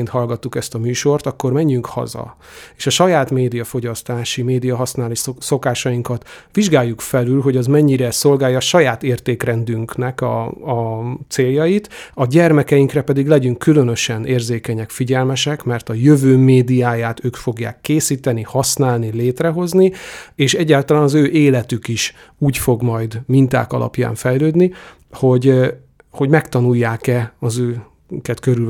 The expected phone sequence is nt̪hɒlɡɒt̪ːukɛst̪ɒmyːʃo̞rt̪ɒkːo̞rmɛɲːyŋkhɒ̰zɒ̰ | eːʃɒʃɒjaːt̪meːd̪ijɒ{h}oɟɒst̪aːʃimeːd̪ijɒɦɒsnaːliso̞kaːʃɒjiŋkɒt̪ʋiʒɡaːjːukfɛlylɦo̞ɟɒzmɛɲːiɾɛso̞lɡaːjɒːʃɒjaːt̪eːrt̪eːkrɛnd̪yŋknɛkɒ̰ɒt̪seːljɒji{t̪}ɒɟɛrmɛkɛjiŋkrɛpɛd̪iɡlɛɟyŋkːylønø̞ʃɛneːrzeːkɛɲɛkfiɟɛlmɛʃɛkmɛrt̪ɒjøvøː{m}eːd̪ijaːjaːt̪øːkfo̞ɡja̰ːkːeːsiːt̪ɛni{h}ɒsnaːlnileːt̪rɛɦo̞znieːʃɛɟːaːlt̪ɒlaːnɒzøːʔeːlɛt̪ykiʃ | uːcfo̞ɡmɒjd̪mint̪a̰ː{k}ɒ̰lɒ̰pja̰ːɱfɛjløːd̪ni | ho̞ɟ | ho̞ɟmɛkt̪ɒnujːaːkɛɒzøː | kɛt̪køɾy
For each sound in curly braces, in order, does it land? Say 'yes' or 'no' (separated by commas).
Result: no, yes, yes, yes, yes